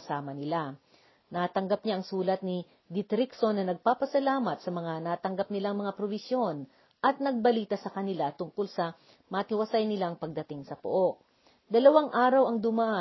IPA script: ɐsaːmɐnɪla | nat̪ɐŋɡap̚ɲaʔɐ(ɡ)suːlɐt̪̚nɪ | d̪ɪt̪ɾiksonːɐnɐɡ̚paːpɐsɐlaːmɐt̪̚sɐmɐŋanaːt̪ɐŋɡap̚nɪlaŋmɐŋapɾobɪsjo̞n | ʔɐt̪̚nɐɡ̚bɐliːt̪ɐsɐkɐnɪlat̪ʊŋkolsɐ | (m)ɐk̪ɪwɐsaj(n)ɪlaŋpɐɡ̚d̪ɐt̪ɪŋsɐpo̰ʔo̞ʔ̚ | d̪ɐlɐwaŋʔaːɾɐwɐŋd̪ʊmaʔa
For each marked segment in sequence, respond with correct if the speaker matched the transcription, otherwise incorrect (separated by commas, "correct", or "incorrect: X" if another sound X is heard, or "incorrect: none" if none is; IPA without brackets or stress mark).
incorrect: ŋ, correct, correct